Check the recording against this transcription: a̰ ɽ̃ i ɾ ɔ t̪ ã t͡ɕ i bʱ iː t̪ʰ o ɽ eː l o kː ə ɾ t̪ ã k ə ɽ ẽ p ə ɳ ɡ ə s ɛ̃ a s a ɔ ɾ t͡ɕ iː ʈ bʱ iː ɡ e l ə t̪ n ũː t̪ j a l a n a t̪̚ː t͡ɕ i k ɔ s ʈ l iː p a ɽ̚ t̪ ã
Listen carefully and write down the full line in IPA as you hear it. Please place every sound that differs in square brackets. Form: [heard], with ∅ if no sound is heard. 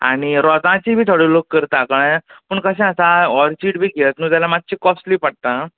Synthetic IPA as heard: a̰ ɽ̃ i ɾ ɔ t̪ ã t͡ɕ i bʱ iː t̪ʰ o ɽ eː l o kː ə ɾ t̪ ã k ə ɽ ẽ p ə ɳ [k] ə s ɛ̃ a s a ɔ ɾ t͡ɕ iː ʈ bʱ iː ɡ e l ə t̪ n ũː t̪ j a l a [m] a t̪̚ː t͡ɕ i k ɔ s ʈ l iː p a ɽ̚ t̪ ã